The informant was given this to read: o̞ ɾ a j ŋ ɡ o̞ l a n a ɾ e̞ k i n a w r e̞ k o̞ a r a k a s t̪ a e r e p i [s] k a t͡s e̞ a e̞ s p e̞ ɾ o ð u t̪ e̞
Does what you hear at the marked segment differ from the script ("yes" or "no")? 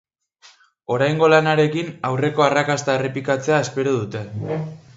yes